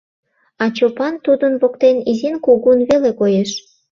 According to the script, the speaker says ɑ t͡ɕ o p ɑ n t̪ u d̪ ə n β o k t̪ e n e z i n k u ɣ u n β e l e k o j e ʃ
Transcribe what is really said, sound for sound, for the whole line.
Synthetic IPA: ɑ t͡ɕ o p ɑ n t̪ u d̪ ə n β o k t̪ e n i z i n k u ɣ u n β e l e k o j e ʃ